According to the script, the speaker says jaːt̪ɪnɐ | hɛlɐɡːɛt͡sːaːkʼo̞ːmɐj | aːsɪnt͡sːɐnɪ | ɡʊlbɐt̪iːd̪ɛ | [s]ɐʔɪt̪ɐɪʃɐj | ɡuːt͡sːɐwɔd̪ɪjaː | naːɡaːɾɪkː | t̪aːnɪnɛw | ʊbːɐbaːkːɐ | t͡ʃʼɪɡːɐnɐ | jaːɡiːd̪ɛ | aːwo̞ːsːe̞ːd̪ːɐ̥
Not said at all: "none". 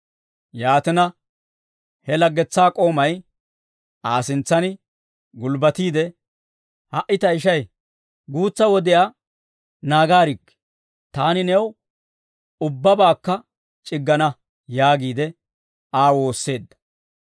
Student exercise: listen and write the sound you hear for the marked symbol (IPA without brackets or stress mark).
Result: h